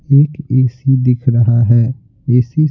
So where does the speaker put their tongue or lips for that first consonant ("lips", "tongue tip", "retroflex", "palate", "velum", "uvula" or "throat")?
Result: velum